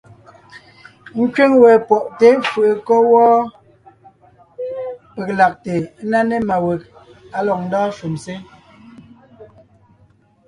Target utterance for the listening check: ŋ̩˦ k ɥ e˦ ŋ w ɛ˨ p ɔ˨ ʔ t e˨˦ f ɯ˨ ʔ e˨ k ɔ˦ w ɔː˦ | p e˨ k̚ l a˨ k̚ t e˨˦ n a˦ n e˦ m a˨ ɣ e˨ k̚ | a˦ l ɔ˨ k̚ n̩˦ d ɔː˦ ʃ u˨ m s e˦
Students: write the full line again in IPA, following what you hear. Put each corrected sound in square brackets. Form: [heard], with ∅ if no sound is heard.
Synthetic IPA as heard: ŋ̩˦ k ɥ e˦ ŋ w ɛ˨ p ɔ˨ ʔ t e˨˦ f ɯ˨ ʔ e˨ k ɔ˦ w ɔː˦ | p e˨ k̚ l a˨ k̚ t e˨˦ n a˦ n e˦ m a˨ [w] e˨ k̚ | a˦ l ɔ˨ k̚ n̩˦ d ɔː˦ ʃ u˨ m s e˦